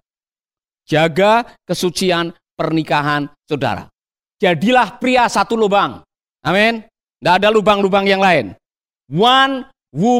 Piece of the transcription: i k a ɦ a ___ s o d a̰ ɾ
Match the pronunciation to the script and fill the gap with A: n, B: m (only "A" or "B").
A